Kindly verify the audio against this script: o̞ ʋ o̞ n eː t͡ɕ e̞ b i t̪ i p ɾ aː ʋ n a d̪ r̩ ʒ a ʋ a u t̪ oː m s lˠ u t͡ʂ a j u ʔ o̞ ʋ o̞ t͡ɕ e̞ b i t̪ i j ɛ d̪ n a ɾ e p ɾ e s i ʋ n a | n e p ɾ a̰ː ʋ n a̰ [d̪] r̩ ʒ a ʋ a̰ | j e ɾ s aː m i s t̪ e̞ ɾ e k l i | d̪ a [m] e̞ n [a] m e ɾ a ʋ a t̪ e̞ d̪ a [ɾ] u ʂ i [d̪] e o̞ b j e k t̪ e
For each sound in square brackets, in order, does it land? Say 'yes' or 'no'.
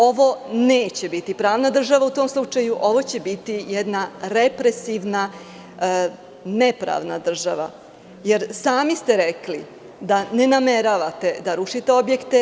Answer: yes, no, yes, yes, no

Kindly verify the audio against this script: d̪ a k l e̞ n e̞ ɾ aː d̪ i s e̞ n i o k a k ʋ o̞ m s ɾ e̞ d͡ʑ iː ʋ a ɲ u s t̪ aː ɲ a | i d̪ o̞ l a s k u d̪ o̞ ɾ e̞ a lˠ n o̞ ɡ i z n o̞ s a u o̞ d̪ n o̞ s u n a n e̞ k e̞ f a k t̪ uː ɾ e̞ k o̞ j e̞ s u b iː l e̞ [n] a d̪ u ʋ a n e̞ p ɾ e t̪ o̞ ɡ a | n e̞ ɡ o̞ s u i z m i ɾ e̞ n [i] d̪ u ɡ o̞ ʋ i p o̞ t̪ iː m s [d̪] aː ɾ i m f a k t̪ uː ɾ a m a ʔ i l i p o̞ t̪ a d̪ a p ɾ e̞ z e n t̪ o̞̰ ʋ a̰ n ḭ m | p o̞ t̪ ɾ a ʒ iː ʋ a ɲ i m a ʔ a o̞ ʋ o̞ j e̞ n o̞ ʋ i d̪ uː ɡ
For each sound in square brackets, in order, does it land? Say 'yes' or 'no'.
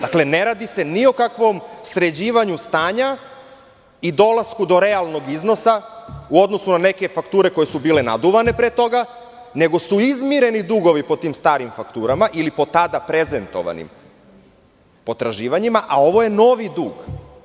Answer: yes, yes, no

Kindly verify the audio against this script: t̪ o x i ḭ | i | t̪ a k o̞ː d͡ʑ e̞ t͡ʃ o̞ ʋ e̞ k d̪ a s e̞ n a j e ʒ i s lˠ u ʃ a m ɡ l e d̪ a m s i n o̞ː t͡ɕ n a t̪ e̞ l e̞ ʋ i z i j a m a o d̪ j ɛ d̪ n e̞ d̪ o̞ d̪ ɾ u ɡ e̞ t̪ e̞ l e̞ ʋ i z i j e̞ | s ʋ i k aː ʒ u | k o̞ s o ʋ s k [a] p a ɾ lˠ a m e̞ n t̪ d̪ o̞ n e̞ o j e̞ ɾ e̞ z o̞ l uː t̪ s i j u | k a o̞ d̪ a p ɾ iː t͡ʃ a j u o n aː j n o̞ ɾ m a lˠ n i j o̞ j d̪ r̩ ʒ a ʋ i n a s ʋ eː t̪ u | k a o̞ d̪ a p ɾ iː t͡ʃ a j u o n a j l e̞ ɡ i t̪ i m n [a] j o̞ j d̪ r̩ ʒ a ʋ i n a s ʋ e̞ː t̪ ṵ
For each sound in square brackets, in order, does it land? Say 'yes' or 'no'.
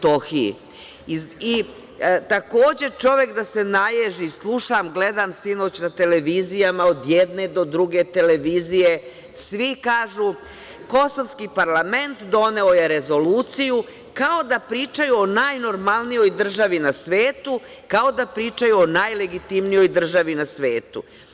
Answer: no, no

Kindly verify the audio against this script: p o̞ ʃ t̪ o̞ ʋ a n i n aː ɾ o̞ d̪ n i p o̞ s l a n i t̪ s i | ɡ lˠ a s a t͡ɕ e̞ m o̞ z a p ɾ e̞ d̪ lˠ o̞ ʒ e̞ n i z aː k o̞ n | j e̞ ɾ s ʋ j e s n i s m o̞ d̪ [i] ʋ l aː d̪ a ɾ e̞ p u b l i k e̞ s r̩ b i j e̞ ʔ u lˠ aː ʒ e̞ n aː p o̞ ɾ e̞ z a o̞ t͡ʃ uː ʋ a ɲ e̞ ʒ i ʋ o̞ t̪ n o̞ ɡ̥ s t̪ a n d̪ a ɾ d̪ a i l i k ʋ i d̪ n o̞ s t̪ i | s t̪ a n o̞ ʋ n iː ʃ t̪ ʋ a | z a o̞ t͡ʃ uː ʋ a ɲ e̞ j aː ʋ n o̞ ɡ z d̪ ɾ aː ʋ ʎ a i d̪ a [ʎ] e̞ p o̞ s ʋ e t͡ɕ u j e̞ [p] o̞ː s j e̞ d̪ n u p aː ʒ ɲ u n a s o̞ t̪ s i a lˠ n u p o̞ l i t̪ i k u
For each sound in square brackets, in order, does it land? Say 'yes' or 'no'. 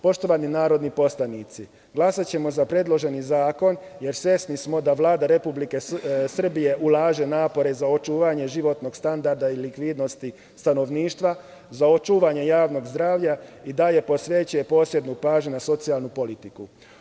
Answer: no, no, yes

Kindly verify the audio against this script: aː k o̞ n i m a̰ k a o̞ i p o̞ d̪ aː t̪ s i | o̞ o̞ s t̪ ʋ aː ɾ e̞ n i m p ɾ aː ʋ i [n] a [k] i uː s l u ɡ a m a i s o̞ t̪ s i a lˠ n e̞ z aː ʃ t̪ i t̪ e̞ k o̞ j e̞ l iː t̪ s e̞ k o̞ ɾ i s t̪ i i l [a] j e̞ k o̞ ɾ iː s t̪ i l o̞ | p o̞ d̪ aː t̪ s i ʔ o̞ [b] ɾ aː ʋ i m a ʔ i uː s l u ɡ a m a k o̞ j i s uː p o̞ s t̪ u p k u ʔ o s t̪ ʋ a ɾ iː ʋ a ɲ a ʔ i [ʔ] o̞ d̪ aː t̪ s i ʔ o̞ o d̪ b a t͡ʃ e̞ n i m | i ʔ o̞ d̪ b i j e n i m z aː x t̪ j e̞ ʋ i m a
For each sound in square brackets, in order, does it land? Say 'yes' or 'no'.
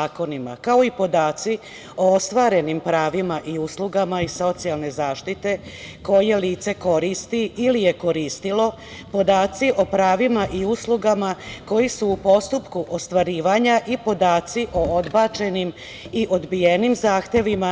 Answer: no, no, no, no, no

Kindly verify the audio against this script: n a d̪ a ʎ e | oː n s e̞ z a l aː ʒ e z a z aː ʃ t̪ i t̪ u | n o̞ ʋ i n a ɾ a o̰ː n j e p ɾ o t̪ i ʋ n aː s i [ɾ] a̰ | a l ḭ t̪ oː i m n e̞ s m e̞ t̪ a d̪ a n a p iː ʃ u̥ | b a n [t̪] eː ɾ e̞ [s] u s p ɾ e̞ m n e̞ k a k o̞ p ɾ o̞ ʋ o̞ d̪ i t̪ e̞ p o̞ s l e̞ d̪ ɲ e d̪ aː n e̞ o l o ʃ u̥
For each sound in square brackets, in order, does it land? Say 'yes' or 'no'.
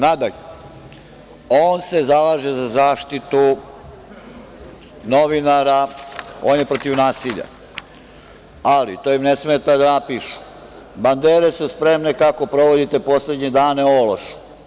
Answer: no, no, yes

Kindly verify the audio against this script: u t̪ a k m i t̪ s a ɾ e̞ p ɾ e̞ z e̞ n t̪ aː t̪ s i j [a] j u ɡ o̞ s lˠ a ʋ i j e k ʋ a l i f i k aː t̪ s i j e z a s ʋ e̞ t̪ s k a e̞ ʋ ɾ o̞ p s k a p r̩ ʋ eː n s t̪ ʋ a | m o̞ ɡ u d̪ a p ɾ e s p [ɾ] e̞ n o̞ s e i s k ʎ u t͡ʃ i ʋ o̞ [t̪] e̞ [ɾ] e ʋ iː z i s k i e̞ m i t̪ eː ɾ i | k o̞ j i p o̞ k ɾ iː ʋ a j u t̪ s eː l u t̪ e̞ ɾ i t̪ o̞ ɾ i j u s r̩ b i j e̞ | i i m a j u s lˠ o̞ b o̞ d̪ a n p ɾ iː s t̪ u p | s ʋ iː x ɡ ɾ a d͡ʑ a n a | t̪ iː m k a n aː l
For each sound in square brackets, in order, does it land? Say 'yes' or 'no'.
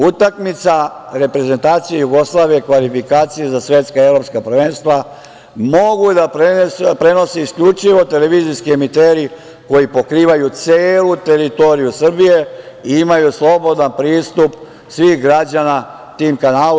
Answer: no, yes, yes, no

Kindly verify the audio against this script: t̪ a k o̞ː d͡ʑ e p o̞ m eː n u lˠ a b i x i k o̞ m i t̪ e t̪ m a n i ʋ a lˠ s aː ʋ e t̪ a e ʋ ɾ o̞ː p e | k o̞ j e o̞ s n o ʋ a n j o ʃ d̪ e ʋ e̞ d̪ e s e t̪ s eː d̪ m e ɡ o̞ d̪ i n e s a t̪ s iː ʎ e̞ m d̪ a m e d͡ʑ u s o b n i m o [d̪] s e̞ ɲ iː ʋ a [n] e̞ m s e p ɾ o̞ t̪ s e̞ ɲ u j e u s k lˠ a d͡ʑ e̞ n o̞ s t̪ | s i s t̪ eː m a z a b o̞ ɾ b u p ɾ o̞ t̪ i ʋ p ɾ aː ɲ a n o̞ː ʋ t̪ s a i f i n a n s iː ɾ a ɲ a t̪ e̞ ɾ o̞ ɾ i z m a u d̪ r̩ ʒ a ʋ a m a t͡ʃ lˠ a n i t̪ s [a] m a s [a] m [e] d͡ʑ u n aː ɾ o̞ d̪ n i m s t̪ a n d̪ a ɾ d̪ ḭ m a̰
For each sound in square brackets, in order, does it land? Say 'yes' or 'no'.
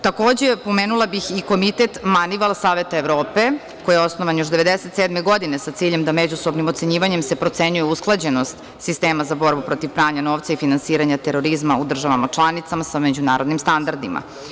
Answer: no, no, yes, yes, yes

